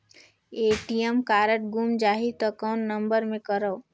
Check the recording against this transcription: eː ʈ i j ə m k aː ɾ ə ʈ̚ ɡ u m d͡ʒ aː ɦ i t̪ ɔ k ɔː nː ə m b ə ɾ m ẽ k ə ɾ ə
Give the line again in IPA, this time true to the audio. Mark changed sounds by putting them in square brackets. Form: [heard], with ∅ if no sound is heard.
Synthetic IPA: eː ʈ i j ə m k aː ɾ ə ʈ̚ ɡ u m d͡ʒ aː ɦ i t̪ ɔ k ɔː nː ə m b ə ɾ m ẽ k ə ɾ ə